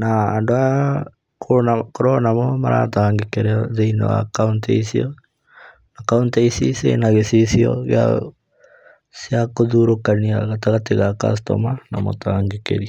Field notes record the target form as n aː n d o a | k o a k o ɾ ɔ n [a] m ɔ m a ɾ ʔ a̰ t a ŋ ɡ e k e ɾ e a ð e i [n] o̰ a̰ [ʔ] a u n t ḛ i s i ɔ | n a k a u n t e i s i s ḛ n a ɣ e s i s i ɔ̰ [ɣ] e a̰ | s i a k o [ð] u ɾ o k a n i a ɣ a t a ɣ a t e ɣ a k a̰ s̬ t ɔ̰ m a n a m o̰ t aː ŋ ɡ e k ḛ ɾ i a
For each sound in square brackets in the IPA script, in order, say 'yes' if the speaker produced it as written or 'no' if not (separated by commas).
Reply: yes, yes, no, yes, yes